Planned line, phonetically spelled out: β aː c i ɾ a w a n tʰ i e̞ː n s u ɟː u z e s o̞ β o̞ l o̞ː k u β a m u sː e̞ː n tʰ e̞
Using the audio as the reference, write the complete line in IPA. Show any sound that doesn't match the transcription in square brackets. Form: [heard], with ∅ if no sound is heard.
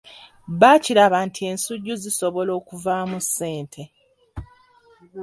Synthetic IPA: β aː c i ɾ a [β] a n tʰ i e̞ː n s u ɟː u z [i] s o̞ β o̞ l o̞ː k u [v] a m u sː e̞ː n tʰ e̞